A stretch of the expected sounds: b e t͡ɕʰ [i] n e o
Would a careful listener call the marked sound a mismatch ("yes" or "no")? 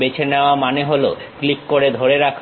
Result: yes